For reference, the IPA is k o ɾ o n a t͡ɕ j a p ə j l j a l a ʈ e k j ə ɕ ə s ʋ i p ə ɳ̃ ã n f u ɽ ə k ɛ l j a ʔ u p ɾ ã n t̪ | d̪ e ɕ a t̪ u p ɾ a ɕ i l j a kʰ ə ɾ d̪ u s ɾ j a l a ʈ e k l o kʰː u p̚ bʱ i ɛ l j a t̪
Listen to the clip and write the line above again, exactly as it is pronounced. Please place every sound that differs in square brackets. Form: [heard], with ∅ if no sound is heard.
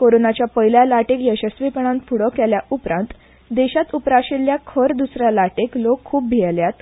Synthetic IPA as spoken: k o ɾ o n a t͡ɕ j a p ə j l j a l a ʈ e k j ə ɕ ə s ʋ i p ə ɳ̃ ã n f u ɽ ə k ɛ l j a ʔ u p ɾ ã n t̪ | d̪ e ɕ a t̪ u p ɾ a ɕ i l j a kʰ ə ɾ d̪ u s ɾ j a l a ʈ e k l o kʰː [uː] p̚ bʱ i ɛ l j a t̪